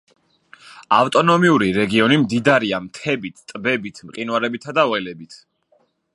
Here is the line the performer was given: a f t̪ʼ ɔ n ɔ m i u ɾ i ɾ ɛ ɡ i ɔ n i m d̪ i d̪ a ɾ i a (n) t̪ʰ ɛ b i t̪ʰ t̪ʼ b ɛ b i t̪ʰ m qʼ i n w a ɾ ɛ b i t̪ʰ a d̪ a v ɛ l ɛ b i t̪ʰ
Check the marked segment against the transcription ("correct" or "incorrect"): incorrect